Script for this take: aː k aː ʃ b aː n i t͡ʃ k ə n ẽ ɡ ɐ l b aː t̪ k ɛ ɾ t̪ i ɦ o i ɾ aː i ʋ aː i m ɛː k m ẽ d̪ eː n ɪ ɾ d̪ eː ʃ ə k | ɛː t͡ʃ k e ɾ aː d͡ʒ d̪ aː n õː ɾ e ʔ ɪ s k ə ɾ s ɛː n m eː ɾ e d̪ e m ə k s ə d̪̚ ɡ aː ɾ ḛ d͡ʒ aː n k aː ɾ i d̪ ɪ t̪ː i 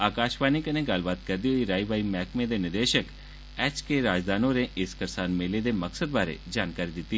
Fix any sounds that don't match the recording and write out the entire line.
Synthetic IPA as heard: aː k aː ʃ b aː n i k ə n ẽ ɡ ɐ l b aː t̪ k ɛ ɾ d̪ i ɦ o i ɾ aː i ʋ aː i m ɛː k m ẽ d̪ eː n ɪ ɾ d̪ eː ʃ ə k | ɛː t͡ʃ k e ɾ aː d͡ʒ d̪ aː n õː ɾ e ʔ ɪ s k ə ɾ s aː n m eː l e d̪ e m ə k s ə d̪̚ b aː ɾ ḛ d͡ʒ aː n k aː ɾ i d̪ ɪ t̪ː i